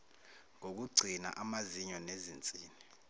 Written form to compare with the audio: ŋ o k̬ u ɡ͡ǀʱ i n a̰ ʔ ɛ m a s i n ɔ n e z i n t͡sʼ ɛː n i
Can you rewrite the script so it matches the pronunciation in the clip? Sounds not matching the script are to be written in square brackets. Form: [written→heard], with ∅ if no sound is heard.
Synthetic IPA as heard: ŋ o k̬ u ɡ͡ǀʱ i n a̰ ʔ [ɛ→a] m a [s→z] i [n→ɲ] ɔ n e z i n t͡sʼ [ɛː→iː] n i

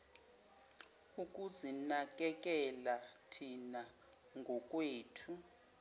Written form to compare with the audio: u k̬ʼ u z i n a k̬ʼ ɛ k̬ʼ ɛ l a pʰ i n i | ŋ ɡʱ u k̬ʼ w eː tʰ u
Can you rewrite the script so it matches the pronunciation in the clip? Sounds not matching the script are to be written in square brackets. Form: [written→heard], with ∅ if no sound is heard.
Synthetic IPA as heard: u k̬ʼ u z i n a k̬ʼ ɛ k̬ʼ ɛ l a [pʰ→tʰ] i n [i→a] | ŋ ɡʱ [u→ɔ] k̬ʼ w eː tʰ u

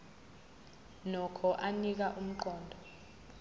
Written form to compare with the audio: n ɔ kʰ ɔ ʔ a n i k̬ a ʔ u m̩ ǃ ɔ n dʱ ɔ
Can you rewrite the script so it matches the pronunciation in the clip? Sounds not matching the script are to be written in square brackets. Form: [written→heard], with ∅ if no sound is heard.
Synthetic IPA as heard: n ɔ kʰ ɔ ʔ a n i k̬ a ʔ u m̩ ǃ [ɔ→ɔː] n dʱ ɔ

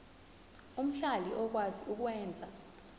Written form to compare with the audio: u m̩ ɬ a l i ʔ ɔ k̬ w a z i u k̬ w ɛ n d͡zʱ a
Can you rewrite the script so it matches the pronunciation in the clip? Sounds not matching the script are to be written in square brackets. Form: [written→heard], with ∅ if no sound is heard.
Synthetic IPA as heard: u m̩ ɬ a l i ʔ ɔ k̬ w a z i u k̬ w [ɛ→ɛː] n d͡zʱ a

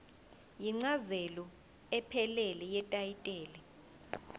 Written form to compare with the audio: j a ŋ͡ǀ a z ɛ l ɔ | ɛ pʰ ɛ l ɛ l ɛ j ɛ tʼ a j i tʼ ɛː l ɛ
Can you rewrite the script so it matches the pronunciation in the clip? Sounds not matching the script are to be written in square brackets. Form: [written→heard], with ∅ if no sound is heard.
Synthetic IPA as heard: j [a→i] ŋ͡ǀ a z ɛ l ɔ | ɛ pʰ ɛ l ɛ l ɛ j ɛ tʼ a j i tʼ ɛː l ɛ

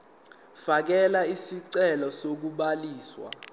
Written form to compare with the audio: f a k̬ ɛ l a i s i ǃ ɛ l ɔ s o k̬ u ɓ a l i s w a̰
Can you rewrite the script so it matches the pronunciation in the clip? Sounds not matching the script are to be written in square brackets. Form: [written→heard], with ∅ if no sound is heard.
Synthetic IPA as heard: f a k̬ ɛ l a i s i [ǃ→ǀ] ɛ l ɔ s o k̬ u ɓ a l [i→iː] s w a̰

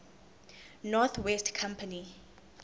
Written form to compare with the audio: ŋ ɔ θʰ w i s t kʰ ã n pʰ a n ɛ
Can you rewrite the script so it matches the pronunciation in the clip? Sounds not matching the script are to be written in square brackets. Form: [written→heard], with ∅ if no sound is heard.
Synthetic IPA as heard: [ŋ→n] ɔ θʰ w [i→ɛ] s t kʰ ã [n→m] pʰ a n [ɛ→i]

